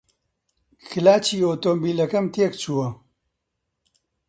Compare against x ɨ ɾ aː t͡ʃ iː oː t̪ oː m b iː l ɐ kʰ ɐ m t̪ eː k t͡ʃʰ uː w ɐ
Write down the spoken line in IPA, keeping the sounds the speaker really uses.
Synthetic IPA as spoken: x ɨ l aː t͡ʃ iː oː t̪ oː m b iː l ɐ k ɐ m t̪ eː k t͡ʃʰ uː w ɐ